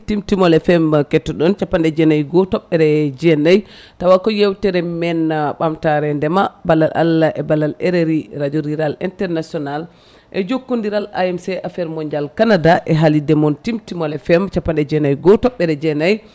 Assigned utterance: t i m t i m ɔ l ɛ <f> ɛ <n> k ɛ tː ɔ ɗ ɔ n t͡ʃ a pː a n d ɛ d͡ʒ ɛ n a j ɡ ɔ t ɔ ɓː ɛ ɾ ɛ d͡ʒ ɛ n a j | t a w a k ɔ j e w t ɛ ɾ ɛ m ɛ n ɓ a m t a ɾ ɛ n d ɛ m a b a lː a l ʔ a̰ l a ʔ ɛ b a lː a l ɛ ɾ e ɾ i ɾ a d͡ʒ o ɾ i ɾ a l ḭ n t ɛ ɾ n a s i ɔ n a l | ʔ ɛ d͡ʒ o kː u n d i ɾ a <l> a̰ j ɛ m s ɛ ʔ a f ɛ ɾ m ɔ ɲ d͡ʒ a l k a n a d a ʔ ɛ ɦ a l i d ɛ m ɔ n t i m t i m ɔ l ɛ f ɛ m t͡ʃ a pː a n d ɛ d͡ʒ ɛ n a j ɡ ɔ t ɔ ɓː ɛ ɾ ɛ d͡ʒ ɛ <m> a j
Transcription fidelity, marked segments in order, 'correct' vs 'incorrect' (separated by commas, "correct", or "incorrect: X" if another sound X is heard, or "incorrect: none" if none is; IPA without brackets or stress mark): correct, incorrect: m, correct, incorrect: n